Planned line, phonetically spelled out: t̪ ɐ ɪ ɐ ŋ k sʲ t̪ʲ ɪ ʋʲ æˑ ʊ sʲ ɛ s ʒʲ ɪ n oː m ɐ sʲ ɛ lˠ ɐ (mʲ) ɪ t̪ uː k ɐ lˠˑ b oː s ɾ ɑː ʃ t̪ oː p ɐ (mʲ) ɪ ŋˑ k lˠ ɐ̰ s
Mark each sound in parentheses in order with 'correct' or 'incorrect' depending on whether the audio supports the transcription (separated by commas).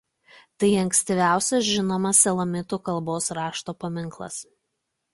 correct, correct